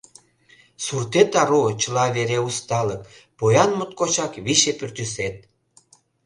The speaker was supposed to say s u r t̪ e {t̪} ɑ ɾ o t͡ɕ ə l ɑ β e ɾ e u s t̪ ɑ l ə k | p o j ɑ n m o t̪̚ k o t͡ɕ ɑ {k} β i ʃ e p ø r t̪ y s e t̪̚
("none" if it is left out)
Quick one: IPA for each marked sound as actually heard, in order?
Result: t̪, k

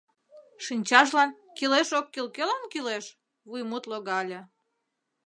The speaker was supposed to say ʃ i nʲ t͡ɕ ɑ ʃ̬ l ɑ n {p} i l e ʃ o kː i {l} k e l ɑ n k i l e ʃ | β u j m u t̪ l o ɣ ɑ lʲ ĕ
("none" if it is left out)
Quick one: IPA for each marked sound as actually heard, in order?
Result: k, l

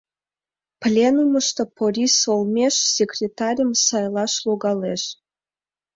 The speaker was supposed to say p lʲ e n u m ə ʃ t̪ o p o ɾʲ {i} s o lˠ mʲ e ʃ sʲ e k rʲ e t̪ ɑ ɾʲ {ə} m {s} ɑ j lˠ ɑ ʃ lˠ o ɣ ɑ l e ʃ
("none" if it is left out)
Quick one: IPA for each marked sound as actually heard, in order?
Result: i, ə, s

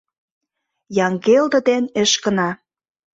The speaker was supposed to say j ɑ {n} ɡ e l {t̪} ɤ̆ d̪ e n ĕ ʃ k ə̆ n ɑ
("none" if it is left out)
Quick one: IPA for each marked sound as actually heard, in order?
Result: ŋ, d̪

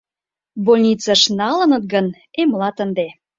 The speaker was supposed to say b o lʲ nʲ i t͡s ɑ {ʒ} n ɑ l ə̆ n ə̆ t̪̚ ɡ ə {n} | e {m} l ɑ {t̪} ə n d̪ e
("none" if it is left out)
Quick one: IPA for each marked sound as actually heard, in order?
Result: ʃ, n, m, t̪

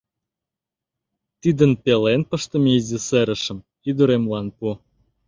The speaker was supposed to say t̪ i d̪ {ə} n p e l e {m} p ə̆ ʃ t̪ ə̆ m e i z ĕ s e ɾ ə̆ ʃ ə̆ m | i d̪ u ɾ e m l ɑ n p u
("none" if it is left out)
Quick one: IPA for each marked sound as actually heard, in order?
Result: ə, n

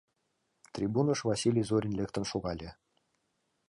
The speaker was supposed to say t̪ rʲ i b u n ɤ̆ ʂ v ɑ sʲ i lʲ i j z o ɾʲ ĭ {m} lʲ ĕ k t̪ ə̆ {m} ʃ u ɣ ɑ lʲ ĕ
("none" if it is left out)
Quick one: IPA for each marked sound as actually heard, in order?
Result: n, n

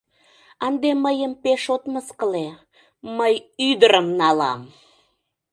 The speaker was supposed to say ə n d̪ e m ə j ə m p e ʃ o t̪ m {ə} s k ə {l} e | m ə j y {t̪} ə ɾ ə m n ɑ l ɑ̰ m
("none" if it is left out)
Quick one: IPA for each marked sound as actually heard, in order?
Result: ə, l, d̪

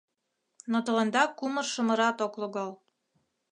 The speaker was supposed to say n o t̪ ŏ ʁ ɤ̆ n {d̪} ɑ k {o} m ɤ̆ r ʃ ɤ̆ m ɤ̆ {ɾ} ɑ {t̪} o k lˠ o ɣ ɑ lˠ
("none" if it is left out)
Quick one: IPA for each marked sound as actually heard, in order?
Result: d̪, u, ɾ, t̪

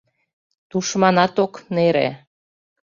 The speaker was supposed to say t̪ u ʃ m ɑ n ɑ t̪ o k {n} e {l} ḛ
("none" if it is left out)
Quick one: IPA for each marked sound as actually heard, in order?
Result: n, ɾ

